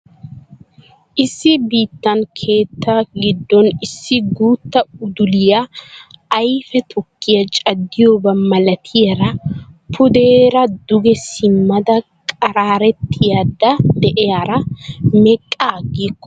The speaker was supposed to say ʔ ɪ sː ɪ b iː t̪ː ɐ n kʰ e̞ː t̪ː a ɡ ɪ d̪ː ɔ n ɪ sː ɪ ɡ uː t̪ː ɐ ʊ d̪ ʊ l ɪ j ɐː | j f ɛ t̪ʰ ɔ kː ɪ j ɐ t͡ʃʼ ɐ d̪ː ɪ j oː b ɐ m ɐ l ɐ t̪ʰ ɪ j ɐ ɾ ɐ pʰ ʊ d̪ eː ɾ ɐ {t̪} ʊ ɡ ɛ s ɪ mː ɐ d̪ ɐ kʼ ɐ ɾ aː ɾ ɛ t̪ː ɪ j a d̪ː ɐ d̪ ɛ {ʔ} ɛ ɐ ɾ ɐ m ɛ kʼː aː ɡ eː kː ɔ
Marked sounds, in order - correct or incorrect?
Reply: incorrect: d̪, correct

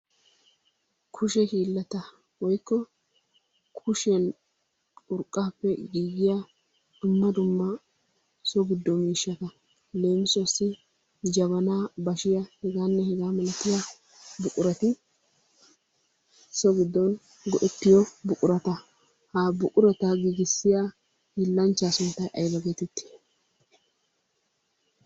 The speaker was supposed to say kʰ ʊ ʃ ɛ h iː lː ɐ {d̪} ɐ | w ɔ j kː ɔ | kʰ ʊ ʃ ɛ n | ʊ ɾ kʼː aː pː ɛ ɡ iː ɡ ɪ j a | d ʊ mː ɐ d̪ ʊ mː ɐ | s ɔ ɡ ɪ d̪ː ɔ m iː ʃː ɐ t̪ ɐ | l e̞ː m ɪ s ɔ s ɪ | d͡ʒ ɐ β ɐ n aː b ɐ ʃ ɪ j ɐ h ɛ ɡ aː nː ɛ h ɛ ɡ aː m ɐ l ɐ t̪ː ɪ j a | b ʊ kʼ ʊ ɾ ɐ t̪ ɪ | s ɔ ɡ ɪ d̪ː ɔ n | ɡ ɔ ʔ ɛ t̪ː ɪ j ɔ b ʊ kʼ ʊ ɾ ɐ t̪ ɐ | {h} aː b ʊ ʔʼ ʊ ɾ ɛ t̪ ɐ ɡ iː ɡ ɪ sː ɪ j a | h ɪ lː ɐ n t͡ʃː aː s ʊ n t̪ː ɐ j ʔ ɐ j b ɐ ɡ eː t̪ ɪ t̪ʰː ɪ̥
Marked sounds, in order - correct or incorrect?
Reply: incorrect: t̪, correct

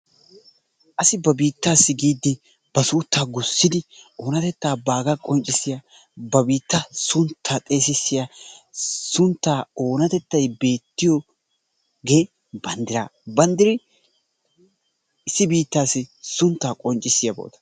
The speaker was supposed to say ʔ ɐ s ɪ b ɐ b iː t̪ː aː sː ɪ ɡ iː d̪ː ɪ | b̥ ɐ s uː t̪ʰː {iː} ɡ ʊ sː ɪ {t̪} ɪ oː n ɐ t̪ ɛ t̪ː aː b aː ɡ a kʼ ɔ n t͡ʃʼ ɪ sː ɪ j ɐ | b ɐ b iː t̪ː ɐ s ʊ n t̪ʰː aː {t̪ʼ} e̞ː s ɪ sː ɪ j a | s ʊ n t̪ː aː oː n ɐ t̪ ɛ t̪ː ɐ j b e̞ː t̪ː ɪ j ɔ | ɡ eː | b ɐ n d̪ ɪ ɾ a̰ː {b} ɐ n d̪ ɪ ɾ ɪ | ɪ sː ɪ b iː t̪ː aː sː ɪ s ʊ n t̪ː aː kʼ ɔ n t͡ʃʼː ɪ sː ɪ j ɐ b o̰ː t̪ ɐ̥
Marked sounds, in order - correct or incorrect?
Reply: incorrect: aː, incorrect: d̪, correct, correct

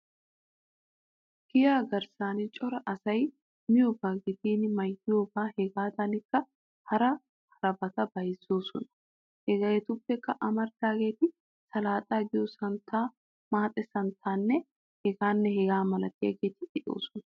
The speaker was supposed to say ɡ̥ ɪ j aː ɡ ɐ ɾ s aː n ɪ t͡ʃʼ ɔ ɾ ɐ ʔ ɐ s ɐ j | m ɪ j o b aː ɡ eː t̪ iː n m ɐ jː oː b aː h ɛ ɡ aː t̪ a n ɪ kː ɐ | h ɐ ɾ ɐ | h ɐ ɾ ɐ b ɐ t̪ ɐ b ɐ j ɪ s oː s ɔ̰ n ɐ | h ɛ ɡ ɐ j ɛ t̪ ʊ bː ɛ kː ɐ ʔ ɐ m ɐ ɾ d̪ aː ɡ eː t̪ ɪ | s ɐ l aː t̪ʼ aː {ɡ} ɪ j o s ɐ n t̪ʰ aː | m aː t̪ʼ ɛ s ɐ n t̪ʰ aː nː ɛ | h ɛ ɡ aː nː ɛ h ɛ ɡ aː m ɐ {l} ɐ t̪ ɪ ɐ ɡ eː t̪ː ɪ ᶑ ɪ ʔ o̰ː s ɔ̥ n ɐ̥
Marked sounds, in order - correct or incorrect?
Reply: correct, correct

